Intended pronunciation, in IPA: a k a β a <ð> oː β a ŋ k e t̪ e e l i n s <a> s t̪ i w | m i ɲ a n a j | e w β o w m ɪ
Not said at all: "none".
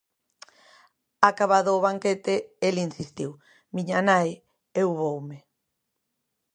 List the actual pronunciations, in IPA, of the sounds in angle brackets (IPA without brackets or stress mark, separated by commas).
ð, i